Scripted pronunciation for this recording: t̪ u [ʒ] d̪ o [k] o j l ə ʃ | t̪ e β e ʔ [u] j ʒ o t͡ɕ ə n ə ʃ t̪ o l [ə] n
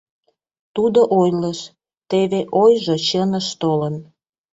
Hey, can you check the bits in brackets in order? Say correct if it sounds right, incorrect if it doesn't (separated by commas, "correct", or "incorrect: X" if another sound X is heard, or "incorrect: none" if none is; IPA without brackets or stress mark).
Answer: incorrect: none, incorrect: ʔ, incorrect: o, correct